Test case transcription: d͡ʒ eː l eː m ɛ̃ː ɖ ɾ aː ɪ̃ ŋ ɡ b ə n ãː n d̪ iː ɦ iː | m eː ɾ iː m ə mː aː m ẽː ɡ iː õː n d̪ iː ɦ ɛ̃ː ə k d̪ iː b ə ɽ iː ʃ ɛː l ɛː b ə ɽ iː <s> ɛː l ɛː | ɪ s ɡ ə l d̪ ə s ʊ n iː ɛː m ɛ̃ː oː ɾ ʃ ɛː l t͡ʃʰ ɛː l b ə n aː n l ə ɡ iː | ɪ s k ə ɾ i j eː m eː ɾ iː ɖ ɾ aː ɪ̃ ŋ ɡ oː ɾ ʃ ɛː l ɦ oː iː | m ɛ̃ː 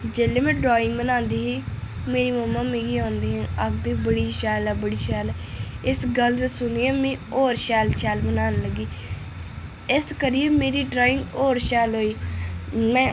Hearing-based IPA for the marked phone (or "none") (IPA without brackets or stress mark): ʃ